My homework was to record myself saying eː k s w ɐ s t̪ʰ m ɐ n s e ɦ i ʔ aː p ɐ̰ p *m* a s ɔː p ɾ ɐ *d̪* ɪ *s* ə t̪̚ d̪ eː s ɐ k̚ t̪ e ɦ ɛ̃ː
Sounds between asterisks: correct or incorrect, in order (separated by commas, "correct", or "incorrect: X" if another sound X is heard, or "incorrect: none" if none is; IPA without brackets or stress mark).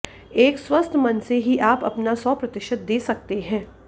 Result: incorrect: n, incorrect: t̪, incorrect: ʃ